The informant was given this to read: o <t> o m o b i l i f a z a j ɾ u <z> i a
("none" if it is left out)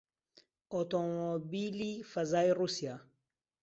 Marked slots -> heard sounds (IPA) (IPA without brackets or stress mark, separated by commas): t, s